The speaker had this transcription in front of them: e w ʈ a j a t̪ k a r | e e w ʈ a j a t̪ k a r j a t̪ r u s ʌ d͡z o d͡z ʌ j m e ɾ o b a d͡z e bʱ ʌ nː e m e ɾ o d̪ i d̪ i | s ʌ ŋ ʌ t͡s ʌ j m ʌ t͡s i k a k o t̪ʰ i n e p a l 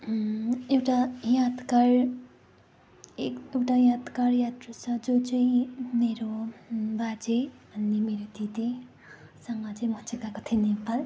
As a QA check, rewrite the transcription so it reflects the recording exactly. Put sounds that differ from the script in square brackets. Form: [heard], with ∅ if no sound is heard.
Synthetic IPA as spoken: e w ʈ a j a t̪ k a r | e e w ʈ a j a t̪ k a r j a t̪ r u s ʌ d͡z o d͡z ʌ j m e ɾ o b a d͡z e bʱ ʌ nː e m e ɾ o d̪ i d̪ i | s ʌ ŋ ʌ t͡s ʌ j m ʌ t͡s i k a k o t̪ʰ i n e p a l

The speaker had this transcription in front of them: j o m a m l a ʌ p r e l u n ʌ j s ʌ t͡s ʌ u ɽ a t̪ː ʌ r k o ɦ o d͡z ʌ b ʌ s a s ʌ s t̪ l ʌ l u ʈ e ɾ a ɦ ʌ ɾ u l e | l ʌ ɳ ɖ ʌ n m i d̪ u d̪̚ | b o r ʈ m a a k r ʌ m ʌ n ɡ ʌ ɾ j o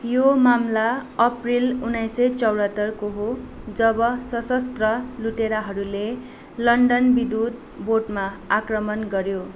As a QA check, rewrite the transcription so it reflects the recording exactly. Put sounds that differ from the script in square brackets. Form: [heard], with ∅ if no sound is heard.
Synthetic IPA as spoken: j o m a m l a ʌ p r [i] l u n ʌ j s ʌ t͡s ʌ [w] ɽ [ʌ] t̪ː ʌ r k o ɦ o d͡z ʌ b ʌ s [ʌ] s ʌ s t̪ [r] ʌ l u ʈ e ɾ a ɦ ʌ ɾ u l e | l ʌ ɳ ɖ ʌ n [b] i d̪ u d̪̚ | b o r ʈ m a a k r ʌ m ʌ n ɡ ʌ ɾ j o

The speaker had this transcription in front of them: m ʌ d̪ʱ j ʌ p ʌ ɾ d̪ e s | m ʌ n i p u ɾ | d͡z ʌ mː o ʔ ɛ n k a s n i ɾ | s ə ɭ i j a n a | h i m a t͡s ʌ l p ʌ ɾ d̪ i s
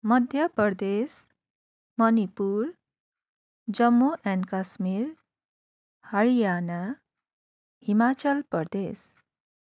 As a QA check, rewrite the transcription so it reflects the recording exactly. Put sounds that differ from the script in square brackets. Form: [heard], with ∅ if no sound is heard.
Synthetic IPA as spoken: m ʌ d̪ʱ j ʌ p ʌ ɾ d̪ e s | m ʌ n i p u ɾ | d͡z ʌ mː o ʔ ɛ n k a s [m] i ɾ | [h] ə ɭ i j a n a | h i m a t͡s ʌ l p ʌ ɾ d̪ [e] s

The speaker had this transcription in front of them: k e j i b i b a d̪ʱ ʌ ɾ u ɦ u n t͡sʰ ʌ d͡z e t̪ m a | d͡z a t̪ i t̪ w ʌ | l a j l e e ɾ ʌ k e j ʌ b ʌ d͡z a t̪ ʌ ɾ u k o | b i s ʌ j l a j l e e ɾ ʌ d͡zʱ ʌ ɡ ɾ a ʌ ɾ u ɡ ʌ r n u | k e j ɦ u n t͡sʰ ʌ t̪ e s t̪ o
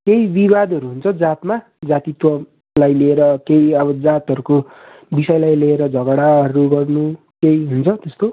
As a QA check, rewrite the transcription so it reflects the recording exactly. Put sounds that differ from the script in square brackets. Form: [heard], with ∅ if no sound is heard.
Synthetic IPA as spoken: k e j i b i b a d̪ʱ ʌ ɾ u ɦ u n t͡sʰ ʌ d͡z [a] t̪ m a | d͡z a t̪ i t̪ w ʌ | l a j l e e ɾ ʌ k e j ʌ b ʌ d͡z a t̪ ʌ ɾ u k o | b i s ʌ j l a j l e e ɾ ʌ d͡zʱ ʌ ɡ [ɽ] a ʌ ɾ u ɡ ʌ r n u | k e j ɦ u n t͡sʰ ʌ t̪ e s t̪ o

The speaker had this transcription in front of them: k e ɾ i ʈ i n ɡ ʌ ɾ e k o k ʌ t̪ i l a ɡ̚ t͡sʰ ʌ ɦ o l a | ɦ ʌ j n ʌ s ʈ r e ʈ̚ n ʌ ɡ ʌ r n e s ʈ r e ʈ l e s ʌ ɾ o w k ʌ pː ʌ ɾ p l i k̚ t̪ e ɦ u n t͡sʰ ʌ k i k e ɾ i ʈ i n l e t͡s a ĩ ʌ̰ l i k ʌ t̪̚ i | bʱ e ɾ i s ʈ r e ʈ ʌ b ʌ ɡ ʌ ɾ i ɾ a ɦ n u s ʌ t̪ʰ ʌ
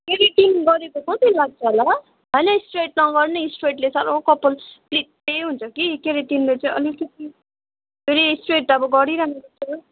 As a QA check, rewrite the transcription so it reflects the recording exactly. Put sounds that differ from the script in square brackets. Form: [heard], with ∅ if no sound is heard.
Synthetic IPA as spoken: k e ɾ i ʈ i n ɡ ʌ ɾ e k o k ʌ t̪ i l a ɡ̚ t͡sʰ ʌ ɦ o l a | ɦ ʌ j n ʌ s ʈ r e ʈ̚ n ʌ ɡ ʌ r n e s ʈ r e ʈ l e s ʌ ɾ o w k ʌ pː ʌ [l] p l i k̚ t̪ e ɦ u n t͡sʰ ʌ k i k e ɾ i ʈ i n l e t͡s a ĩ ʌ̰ l i k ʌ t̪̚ i | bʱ e ɾ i s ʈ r e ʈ ʌ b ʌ ɡ ʌ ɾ i ɾ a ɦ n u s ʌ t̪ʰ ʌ

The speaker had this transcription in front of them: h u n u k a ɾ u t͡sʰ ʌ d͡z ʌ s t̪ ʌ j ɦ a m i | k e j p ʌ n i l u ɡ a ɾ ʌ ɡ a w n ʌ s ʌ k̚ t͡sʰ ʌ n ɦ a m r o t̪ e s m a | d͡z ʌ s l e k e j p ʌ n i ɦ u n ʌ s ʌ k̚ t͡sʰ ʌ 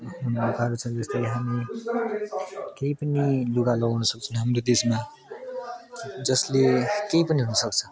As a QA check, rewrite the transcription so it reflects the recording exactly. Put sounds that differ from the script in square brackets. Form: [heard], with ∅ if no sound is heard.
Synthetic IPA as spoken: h u n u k a ɾ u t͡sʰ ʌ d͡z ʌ s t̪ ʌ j ɦ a m i | k e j p ʌ n i l u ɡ a [l] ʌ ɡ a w n ʌ s ʌ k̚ t͡sʰ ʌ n ɦ a m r o [d̪] e s m a | d͡z ʌ s l e k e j p ʌ n i ɦ u n ʌ s ʌ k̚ t͡sʰ ʌ

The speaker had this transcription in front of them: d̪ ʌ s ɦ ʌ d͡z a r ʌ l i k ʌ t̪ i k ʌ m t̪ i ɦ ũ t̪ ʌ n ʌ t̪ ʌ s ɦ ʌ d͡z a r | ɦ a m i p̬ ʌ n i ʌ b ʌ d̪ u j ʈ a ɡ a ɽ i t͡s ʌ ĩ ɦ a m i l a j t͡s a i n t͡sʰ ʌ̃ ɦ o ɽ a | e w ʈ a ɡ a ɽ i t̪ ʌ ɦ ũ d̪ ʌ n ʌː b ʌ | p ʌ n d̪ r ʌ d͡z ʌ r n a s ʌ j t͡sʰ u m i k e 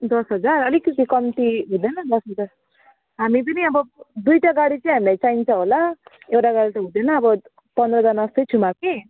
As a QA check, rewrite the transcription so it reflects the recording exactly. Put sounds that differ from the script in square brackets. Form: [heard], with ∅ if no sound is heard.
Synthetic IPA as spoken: d̪ ʌ s ɦ ʌ d͡z a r ʌ l i k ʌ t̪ i k ʌ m t̪ i ɦ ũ [d̪] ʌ n ʌ [d̪] ʌ s ɦ ʌ d͡z a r | ɦ a m i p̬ ʌ n i ʌ b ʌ d̪ u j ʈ a ɡ a ɽ i t͡s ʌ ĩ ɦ a m i l a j t͡s a i n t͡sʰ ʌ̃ ɦ o [l] a | e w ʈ a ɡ a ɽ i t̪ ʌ ɦ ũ d̪ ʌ n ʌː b ʌ | p ʌ n d̪ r ʌ d͡z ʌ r n a s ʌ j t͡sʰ u m [a] k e

